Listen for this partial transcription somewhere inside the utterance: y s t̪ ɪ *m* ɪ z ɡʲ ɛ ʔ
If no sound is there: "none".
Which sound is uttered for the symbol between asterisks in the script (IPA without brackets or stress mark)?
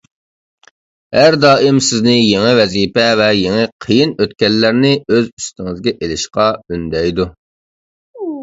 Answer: ŋ